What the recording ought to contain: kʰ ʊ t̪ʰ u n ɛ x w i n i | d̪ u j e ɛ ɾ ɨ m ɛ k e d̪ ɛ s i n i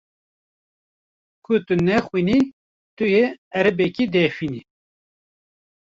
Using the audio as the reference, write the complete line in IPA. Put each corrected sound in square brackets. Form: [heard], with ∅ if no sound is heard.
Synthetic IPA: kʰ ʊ [t̪] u n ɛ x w i n i | [t̪] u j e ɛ ɾ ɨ [b] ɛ k [i] d̪ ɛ [f] i n i